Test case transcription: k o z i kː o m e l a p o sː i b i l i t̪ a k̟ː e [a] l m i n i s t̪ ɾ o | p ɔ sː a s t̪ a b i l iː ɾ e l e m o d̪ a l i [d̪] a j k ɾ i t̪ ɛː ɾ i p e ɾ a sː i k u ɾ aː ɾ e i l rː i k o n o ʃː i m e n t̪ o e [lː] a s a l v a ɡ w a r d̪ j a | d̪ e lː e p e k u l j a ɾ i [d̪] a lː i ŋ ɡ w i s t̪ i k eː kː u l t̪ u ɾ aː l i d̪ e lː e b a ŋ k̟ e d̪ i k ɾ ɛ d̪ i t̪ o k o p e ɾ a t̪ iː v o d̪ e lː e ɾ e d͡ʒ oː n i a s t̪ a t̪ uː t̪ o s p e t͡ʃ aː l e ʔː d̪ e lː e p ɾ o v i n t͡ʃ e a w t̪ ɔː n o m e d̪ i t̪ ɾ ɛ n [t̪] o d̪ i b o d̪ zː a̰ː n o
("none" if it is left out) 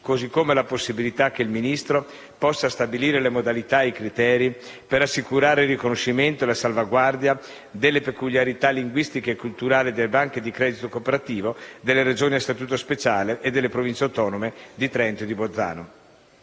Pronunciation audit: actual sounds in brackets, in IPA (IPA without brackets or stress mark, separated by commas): i, t̪, l, t̪, t̪